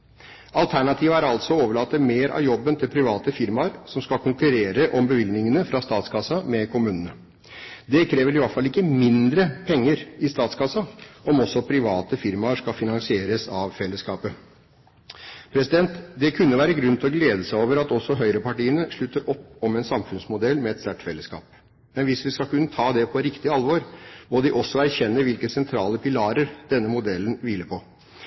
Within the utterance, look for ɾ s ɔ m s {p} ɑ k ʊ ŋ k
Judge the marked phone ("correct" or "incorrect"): incorrect